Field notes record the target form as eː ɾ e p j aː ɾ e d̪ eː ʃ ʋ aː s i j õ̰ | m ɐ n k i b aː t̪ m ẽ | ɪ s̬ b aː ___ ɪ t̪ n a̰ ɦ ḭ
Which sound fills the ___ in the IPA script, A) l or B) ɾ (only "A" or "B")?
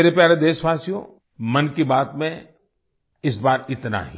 B